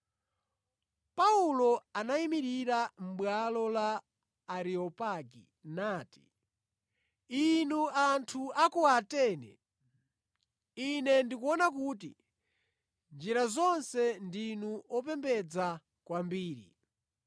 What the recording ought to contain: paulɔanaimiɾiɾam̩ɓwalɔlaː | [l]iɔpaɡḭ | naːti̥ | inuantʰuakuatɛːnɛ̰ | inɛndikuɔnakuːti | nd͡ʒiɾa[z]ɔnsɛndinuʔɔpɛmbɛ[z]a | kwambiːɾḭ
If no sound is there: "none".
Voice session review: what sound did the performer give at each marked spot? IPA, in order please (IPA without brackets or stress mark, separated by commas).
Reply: ɾ, z, d͡z